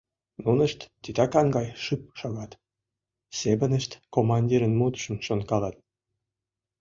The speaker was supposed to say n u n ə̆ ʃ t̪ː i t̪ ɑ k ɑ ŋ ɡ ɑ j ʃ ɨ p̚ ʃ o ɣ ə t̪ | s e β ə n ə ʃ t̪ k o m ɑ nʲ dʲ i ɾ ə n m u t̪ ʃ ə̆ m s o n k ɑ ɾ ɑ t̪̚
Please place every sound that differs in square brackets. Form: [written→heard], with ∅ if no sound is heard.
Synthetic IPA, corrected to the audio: n u n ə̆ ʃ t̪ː i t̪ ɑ k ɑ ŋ ɡ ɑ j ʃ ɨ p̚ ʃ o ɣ [ə→ɑ] t̪ | s e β ə n ə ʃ t̪ k o m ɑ nʲ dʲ i ɾ ə n m u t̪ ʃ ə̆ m [s→ʃ] o n k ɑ [ɾ→l] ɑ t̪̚